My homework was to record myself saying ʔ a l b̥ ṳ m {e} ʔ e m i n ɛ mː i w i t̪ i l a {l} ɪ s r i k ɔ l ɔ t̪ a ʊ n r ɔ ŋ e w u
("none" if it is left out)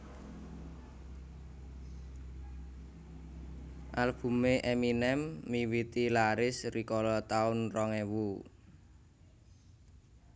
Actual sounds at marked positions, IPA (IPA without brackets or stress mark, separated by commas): e, ɾ